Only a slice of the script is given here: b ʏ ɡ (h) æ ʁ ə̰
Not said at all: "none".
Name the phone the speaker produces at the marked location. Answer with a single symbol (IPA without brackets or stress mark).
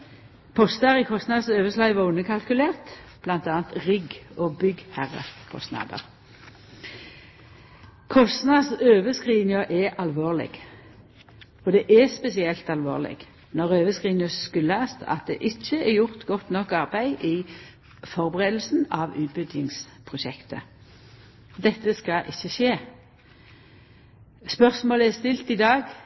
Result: h